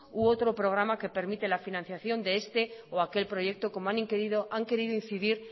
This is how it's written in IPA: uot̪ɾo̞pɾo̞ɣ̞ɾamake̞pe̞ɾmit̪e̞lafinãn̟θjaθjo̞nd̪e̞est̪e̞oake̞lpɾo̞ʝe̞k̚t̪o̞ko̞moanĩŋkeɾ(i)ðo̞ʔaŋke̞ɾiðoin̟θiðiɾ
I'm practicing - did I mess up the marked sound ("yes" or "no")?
no